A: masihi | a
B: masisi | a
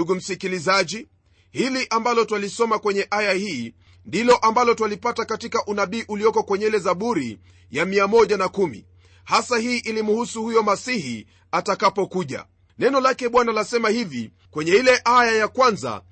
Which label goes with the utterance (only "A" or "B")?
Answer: A